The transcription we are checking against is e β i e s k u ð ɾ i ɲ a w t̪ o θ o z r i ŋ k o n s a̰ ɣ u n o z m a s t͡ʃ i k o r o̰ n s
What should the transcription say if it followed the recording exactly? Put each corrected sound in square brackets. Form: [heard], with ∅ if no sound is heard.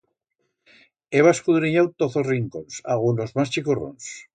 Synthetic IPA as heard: e β [a] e s k u ð ɾ i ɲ a w t̪ o θ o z r i ŋ k o n s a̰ ɣ u n o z m a s t͡ʃ i k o r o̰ n s